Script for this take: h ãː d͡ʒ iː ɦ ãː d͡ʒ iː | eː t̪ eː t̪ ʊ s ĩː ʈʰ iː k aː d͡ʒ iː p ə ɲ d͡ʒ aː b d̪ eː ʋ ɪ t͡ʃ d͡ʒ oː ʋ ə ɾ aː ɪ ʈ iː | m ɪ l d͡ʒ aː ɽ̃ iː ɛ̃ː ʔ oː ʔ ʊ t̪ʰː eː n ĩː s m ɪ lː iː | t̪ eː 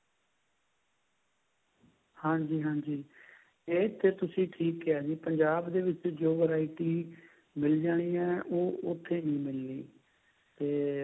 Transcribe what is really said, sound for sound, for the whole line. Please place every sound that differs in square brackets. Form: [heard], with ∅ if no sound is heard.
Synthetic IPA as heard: h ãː d͡ʒ iː ɦ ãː d͡ʒ iː | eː t̪ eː t̪ ʊ s ĩː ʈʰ iː k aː d͡ʒ iː p ə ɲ d͡ʒ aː b d̪ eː ʋ ɪ t͡ʃ d͡ʒ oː ʋ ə ɾ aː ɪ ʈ iː | m ɪ l d͡ʒ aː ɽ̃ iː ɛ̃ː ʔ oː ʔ ʊ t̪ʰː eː n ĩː [∅] m ɪ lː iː | t̪ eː